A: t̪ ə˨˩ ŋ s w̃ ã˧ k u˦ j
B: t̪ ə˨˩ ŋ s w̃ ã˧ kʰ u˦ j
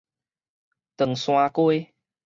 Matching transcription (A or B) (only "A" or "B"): A